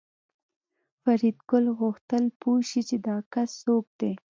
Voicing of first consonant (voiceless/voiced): voiceless